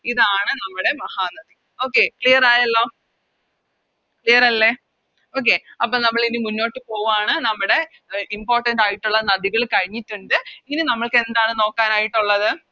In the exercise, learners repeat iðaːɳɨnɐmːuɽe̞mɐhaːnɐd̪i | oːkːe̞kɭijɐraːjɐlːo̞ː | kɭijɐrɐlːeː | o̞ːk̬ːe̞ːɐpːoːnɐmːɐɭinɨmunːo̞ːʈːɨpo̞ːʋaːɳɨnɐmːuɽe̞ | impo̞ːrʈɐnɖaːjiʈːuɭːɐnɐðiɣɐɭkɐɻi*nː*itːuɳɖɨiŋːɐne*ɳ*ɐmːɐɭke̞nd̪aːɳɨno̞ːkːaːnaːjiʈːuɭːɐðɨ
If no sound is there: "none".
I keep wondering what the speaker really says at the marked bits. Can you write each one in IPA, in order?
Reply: ɲː, n

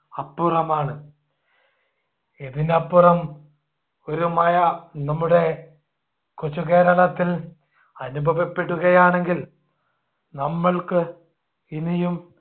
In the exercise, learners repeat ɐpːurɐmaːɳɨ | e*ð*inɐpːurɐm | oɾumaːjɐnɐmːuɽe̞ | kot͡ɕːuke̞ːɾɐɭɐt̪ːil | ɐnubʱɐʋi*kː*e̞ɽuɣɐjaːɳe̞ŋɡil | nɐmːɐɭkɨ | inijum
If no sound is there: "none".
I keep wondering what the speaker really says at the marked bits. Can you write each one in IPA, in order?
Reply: ð, pː

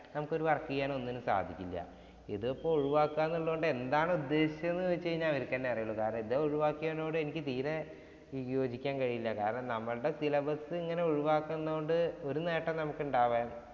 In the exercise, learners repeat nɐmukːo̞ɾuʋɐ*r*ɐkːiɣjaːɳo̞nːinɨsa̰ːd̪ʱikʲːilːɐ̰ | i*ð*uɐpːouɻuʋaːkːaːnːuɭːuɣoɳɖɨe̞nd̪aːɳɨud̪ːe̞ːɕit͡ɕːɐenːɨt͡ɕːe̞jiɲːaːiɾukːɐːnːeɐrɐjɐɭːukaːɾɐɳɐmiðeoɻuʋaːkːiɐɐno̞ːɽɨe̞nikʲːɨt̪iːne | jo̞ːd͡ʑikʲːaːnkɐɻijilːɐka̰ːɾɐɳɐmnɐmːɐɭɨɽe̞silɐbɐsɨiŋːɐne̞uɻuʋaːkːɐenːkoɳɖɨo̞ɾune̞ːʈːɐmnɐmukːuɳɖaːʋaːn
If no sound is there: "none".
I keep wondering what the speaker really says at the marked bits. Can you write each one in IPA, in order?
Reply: r, ð

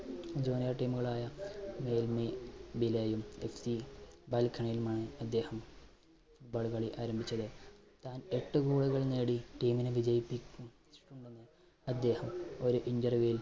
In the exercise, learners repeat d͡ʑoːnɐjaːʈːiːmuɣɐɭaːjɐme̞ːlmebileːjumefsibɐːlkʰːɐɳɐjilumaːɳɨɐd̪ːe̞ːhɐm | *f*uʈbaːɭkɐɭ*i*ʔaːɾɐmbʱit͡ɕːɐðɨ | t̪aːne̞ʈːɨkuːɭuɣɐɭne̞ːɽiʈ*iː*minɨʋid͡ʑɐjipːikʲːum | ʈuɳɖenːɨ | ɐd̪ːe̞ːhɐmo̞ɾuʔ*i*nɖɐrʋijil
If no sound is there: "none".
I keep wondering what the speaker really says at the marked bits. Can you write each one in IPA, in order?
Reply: f, i, iː, i

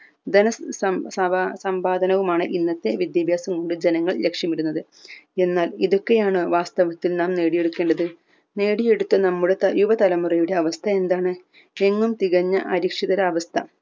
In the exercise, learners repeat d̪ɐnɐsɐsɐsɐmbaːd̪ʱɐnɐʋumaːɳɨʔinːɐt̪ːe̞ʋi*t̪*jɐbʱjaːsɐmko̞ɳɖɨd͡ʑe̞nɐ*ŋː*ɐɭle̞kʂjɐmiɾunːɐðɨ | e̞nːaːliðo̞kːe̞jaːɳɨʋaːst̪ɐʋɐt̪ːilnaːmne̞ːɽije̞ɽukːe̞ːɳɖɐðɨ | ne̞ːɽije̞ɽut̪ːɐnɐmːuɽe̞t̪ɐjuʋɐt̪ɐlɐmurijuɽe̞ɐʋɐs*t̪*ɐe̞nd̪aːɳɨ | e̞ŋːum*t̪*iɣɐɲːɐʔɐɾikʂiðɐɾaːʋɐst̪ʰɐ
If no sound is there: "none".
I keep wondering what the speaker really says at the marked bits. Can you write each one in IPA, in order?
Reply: d̪, ŋː, t̪ʰ, t̪

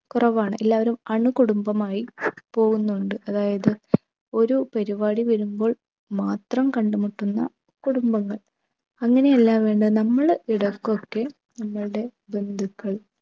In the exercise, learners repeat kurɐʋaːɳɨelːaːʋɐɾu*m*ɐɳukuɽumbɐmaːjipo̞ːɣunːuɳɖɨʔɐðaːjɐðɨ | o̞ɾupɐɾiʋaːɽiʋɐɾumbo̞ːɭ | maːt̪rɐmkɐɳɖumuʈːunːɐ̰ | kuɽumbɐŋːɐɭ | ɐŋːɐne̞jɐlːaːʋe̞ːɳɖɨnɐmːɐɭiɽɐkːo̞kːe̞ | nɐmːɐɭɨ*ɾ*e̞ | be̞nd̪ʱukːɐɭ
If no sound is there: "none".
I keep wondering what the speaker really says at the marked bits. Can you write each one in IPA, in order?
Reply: m, ɽ

